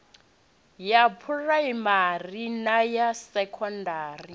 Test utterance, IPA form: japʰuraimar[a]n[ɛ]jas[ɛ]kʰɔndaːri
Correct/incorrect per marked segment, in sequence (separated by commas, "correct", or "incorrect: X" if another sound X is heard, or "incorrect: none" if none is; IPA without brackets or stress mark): incorrect: i, incorrect: a, correct